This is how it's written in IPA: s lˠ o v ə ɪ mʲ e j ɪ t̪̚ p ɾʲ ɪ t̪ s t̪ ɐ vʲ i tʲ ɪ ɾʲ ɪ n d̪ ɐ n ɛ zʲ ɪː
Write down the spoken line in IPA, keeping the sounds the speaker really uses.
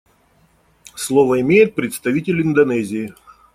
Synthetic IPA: s lˠ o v ə ɪ mʲ e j ɪ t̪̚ p ɾʲ ɪ t̪ s t̪ ɐ vʲ i tʲ ɪ lʲ ɪ n d̪ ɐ n ɛ zʲ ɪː